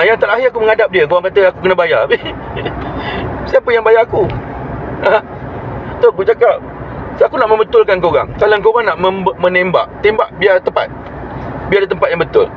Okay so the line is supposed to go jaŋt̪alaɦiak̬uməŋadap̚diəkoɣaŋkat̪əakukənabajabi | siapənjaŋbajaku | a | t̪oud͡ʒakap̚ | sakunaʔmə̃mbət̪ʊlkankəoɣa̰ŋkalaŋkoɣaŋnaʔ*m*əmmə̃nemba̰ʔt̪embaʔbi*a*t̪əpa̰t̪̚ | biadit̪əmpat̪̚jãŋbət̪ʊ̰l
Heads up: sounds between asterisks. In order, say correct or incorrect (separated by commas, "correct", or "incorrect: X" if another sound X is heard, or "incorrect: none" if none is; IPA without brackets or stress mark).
correct, correct